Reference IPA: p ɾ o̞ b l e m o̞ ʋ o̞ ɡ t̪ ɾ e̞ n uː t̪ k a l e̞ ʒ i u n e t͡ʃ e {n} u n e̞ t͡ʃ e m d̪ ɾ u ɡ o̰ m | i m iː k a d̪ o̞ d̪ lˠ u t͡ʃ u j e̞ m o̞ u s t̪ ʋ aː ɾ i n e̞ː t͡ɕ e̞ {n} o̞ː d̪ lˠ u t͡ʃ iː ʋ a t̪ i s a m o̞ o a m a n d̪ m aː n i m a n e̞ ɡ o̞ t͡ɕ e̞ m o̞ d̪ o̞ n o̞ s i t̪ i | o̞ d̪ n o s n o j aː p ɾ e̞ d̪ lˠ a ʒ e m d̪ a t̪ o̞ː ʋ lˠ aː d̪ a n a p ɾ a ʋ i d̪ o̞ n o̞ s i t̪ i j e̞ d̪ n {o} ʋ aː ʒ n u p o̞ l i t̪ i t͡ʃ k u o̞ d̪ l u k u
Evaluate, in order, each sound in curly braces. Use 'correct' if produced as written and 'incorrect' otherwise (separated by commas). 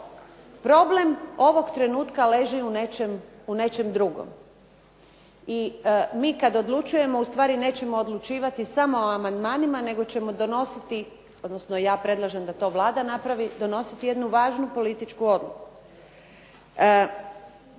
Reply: incorrect, incorrect, incorrect